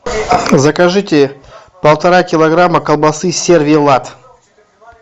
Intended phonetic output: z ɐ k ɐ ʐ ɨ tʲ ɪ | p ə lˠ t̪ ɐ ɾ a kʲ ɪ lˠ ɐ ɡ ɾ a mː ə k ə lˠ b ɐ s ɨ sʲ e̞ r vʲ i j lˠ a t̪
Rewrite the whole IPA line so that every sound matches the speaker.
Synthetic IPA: z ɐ k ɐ ʐ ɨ tʲ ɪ | p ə lˠ t̪ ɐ ɾ a kʲ ɪ lˠ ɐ ɡ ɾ a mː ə k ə lˠ b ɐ s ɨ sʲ e̞ r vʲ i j lˠ a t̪

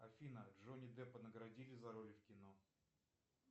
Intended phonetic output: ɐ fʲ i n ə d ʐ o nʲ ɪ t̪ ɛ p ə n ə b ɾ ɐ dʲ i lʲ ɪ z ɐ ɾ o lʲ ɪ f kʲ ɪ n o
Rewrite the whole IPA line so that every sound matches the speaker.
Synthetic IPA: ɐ fʲ i n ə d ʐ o nʲ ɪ d̪ ɛ p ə n ə ɡ ɾ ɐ dʲ i lʲ ɪ z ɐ ɾ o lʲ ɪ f kʲ ɪ n o

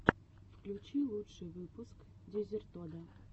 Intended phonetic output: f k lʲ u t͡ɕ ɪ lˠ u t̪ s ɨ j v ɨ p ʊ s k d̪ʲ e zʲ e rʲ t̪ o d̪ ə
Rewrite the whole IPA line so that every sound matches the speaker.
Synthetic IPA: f k lʲ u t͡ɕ i lˠ u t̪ ʂ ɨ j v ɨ p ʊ s k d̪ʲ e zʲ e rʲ t̪ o d̪ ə

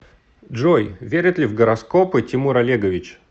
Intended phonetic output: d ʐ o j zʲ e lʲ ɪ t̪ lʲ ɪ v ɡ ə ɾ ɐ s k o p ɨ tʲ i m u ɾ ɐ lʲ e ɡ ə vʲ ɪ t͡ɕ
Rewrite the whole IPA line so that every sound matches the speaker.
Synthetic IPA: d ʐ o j vʲ e ɾʲ ɪ t̪ lʲ ɪ v ɡ ə ɾ ɐ s k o p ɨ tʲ ɪ m u ɾ ɐ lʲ e ɡ ə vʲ ɪ t͡ɕ

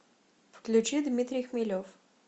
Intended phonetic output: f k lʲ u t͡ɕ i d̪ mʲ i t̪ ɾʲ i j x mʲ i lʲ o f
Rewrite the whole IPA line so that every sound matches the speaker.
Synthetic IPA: f k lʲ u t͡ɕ i d̪ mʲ i t̪ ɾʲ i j x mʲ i lʲ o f

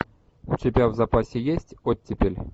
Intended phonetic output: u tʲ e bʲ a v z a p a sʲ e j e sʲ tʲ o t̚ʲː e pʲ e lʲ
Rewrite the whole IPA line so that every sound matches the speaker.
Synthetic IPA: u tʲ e bʲ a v z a p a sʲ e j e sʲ tʲ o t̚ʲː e pʲ e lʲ

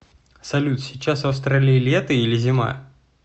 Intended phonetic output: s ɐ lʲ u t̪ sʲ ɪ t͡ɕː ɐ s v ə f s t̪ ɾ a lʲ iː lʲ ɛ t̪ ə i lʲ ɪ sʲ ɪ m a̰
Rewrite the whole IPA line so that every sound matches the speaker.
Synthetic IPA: s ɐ lʲ u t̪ sʲ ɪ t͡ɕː a s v ɐ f s t̪ ɾ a lʲ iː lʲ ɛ t̪ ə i lʲ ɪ zʲ ɪ m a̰

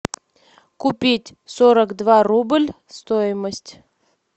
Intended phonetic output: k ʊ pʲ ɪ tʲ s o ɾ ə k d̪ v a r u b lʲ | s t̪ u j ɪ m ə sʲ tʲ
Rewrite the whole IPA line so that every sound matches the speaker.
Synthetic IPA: k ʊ pʲ i tʲ s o ɾ ə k d̪ v a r u b lʲ | s t̪ o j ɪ m ə sʲ tʲ

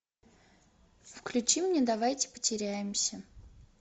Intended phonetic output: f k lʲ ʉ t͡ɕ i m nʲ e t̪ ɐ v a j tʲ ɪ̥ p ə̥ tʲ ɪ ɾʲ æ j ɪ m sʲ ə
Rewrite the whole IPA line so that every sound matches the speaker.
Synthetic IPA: f k lʲ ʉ t͡ɕ i m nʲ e d̪ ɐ v a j tʲ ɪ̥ p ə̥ tʲ ɪ ɾʲ æ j ɪ m sʲ ə

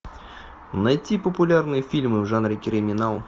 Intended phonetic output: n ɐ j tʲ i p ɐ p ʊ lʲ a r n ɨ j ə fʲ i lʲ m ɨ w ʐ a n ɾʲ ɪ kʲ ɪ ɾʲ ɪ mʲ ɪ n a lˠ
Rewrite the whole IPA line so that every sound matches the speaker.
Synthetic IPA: n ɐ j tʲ i p ə p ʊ lʲ a r n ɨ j ə fʲ i lʲ m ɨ v ʐ a n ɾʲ ɪ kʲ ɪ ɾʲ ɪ mʲ ɪ n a lˠ

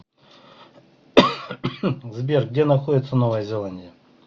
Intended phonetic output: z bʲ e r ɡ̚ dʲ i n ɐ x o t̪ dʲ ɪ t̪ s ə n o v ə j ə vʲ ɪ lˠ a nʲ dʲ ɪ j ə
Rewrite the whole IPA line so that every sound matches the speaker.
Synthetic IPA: z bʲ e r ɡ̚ dʲ e n ɐ x o dʲ ɪ t̪ s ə n o v ə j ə zʲ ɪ lˠ a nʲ dʲ ɪ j ə

